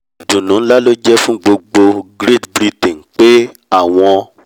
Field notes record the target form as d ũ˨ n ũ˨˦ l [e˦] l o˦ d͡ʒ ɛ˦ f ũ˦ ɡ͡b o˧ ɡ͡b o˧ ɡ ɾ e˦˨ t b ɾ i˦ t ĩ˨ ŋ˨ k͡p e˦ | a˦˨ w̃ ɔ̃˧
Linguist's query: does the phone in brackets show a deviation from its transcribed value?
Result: yes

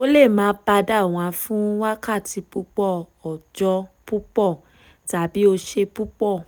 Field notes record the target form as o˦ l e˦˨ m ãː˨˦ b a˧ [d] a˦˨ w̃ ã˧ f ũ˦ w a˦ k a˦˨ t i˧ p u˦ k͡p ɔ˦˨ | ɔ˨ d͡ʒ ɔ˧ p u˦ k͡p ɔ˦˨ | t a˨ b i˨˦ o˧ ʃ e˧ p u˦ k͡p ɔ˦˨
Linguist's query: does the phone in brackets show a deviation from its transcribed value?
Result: no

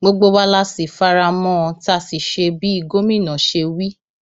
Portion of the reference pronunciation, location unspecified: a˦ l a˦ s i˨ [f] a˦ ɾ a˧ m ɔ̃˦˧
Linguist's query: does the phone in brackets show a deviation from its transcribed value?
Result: no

